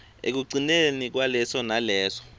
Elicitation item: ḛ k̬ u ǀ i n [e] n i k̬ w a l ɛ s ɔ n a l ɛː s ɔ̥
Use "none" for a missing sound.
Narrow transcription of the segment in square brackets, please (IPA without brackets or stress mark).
e